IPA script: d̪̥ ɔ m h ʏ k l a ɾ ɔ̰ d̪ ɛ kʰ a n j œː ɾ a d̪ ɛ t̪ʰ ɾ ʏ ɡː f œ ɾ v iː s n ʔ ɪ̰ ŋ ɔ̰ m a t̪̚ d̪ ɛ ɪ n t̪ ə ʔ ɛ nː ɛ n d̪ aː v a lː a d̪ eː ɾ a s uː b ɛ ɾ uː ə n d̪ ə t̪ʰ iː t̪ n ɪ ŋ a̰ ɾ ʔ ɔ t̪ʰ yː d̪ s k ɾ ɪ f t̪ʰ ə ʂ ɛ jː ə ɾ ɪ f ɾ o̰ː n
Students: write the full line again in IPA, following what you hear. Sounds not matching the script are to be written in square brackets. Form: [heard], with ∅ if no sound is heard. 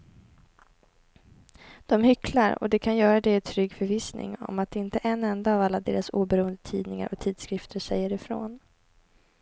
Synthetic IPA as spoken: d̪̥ ɔ m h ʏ k l a ɾ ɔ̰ d̪ ɛ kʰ a n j œː ɾ a d̪ ɛ t̪ʰ ɾ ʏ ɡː f œ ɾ v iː s n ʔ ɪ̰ ŋ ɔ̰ m a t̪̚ d̪ ɛ ɪ n t̪ ə ʔ ɛ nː ɛ n d̪ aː v a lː a d̪ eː ɾ a s uː b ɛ ɾ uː ə n d̪ ə t̪ʰ iː [d̪] n ɪ ŋ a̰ ɾ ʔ ɔ t̪ʰ [iː] d̪ s k ɾ ɪ f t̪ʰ ə ʂ ɛ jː ə ɾ ɪ f ɾ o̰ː n